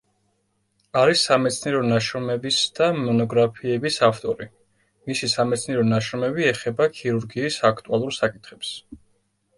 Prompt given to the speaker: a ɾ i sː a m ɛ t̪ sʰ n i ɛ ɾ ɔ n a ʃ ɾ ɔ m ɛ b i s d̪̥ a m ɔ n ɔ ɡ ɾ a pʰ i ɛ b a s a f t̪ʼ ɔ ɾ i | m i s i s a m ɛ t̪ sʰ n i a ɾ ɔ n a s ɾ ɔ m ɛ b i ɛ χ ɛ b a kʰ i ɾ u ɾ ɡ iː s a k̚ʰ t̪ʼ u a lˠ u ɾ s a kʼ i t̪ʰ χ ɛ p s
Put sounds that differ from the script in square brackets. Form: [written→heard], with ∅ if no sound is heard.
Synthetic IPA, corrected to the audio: a ɾ i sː a m ɛ t̪ sʰ n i ɛ ɾ ɔ n a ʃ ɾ ɔ m ɛ b i s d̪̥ a m ɔ n ɔ ɡ ɾ a pʰ i ɛ b [a→i] s a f t̪ʼ ɔ ɾ i | m i s i s a m ɛ t̪ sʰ n i [a→ɛ] ɾ ɔ n a [s→ʃ] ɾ ɔ m ɛ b i ɛ χ ɛ b a kʰ i ɾ u ɾ ɡ iː s a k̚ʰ t̪ʼ u a lˠ u ɾ s a kʼ i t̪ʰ χ ɛ p s

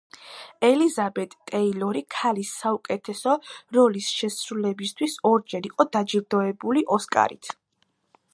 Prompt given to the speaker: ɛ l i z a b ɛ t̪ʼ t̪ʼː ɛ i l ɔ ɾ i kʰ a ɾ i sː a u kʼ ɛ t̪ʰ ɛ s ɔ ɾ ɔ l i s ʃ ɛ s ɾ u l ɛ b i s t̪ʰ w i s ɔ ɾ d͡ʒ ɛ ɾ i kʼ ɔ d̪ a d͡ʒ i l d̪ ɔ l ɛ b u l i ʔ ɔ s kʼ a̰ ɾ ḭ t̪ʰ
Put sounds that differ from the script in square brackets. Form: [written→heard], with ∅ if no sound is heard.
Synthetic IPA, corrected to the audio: ɛ l i z a b ɛ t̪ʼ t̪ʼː ɛ i l ɔ ɾ i kʰ a [ɾ→l] i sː a u kʼ ɛ t̪ʰ ɛ s ɔ ɾ ɔ l i s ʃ ɛ s ɾ u l ɛ b i s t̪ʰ w i s ɔ ɾ d͡ʒ ɛ ɾ i [kʼ→qʼ] ɔ d̪ a d͡ʒ i [l→ɾ] d̪ ɔ [l→∅] ɛ b u l i ʔ ɔ s kʼ a̰ ɾ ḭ t̪ʰ

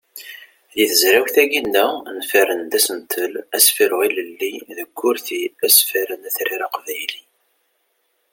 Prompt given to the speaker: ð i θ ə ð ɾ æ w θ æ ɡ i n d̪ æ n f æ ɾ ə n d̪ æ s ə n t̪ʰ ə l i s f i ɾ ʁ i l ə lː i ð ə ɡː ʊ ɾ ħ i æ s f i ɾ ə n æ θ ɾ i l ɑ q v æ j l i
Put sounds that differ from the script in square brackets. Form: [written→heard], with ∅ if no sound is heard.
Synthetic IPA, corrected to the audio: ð i θ ə [ð→z] ɾ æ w θ æ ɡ i n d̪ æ n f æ ɾ ə n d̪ æ s ə n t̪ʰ ə l [i→æ] s f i ɾ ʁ i l ə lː i ð ə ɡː ʊ ɾ [ħ→θ] i æ s f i ɾ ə n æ θ ɾ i [l→ɾ] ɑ q v æ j l i

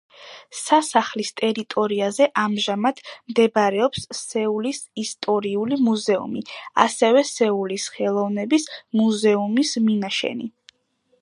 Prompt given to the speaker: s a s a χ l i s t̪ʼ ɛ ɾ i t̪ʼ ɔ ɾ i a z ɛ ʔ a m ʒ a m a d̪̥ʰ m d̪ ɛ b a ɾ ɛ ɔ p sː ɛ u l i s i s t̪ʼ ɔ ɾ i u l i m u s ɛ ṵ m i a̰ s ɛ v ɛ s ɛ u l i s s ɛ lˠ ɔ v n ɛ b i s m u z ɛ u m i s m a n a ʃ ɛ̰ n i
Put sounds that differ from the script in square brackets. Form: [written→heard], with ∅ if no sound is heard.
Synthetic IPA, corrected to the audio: s a s a χ l i s t̪ʼ ɛ ɾ i t̪ʼ ɔ ɾ i a z ɛ ʔ a m ʒ a m a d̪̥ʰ m d̪ ɛ b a ɾ ɛ ɔ p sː ɛ u l i s i s t̪ʼ ɔ ɾ i u l i m u [s→z] ɛ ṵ m i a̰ s ɛ v ɛ s ɛ u l i s [s→χ] ɛ lˠ ɔ v n ɛ b i s m u z ɛ u m i s m [a→i] n a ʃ ɛ̰ n i

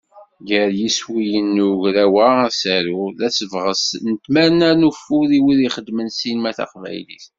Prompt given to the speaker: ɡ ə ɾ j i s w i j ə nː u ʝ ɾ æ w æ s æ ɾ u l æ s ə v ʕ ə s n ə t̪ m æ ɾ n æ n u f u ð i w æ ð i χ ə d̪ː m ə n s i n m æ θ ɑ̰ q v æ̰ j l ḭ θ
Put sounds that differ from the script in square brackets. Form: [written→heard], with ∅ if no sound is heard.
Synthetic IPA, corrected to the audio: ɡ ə ɾ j i s w i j ə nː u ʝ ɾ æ w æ s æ ɾ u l æ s ə v [ʕ→ʁ] ə s n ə t̪ m æ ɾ n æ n u f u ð i w [æ→i] ð i χ ə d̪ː m ə n s i n m æ θ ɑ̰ q v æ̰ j l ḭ θ

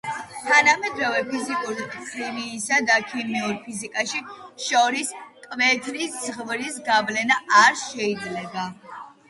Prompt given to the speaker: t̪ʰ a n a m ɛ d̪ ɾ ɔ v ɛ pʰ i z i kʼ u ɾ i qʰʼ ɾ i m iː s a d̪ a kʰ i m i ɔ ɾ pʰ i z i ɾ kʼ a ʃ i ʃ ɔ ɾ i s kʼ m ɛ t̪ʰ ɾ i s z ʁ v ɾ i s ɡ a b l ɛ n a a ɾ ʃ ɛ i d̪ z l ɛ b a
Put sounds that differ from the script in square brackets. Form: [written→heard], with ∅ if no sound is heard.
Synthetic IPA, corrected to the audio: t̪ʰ a n a m ɛ d̪ ɾ ɔ v ɛ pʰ i z i kʼ u ɾ i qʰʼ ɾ i m iː s a d̪ a kʰ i m i [ɔ→u] ɾ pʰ i z i [ɾ→∅] kʼ a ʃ i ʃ ɔ ɾ i s kʼ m ɛ t̪ʰ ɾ i s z ʁ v ɾ i s ɡ a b l ɛ n a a ɾ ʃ ɛ i d̪ z l ɛ b a

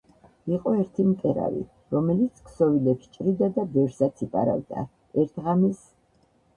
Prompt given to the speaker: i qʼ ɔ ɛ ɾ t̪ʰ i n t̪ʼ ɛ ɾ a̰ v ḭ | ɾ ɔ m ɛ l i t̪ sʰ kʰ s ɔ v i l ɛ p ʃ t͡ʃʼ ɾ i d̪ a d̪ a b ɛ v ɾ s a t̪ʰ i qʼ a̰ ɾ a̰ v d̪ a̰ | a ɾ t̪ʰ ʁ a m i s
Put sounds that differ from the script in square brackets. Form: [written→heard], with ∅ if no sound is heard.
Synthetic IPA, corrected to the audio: i qʼ ɔ ɛ ɾ t̪ʰ i [n→m] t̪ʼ ɛ ɾ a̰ v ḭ | ɾ ɔ m ɛ l i t̪ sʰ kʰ s ɔ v i l ɛ p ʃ t͡ʃʼ ɾ i d̪ a d̪ a b ɛ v ɾ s a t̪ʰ i [qʼ→pʼ] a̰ ɾ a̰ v d̪ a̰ | [a→ɛ] ɾ t̪ʰ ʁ a m i s

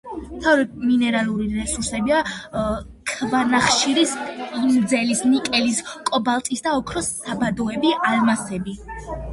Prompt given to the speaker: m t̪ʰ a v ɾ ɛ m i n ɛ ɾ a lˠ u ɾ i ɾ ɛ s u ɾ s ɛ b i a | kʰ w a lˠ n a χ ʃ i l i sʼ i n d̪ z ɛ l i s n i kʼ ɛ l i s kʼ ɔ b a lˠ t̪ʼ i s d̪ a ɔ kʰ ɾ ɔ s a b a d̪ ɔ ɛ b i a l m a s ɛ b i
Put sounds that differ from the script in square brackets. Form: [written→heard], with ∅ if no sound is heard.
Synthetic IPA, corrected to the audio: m t̪ʰ a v ɾ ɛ m i n ɛ ɾ a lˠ u ɾ i ɾ ɛ s u ɾ s ɛ b i a | kʰ [w→v] a [lˠ→∅] n a χ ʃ i [l→ɾ] i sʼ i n d̪ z ɛ l i s n i kʼ ɛ l i s kʼ ɔ b a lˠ t̪ʼ i s d̪ a ɔ kʰ ɾ ɔ s a b a d̪ ɔ ɛ b i a l m a s ɛ b i

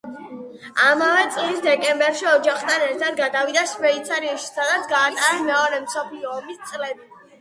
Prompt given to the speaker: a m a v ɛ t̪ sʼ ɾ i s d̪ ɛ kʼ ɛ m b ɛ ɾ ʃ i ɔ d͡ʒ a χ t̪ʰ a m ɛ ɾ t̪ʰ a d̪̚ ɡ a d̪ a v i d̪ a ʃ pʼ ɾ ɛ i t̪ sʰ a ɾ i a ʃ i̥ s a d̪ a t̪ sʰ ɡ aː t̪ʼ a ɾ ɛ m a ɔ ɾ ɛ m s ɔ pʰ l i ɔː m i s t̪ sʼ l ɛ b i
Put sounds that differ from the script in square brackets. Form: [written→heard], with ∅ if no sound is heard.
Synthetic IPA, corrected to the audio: a m a v ɛ t̪ sʼ [ɾ→l] i s d̪ ɛ kʼ ɛ m b ɛ ɾ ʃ i ɔ d͡ʒ a χ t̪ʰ a [m→n] ɛ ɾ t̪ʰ a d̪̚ ɡ a d̪ a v i d̪ a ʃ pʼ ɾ ɛ i t̪ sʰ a ɾ i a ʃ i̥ s a d̪ a t̪ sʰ ɡ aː t̪ʼ a ɾ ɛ m [a→ɛ] ɔ ɾ ɛ m s ɔ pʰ l i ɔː m i s t̪ sʼ l ɛ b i

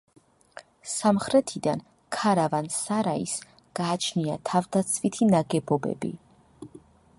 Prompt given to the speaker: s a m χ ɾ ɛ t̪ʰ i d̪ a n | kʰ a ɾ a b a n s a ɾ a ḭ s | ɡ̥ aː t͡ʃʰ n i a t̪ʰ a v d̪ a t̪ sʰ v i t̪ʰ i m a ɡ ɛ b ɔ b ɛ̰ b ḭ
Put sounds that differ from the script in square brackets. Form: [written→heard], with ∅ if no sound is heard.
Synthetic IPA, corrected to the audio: s a m χ ɾ ɛ t̪ʰ i d̪ a n | kʰ a ɾ a [b→v] a n s a ɾ a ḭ s | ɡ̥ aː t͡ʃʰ n i a t̪ʰ a v d̪ a t̪ sʰ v i t̪ʰ i [m→n] a ɡ ɛ b ɔ b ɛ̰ b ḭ

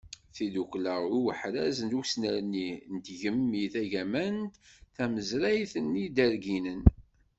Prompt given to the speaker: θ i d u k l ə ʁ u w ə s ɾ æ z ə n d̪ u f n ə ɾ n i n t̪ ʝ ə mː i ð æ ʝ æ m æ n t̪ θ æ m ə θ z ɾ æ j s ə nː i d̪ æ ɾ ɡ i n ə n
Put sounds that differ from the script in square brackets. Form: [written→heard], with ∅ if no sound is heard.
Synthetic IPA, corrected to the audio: θ i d u k l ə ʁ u w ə [s→ħ] ɾ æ z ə n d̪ u [f→s] n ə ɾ n i n t̪ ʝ ə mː i [ð→θ] æ ʝ æ m æ n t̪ θ æ m ə [θ→∅] z ɾ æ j [s→θ] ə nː i d̪ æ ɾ ɡ i n ə n

